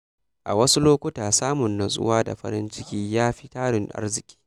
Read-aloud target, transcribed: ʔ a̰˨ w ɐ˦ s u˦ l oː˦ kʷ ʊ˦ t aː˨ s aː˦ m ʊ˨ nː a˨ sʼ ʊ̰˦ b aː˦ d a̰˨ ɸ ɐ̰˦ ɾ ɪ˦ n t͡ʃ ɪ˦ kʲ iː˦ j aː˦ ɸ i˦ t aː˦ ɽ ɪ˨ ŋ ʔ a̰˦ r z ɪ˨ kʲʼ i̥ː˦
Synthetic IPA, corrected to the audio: ʔ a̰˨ w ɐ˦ s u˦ l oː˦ kʷ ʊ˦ t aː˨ s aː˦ m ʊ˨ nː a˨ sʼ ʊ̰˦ w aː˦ d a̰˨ ɸ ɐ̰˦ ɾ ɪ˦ n t͡ʃ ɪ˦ kʲ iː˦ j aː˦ ɸ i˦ t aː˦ ɽ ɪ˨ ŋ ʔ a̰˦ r z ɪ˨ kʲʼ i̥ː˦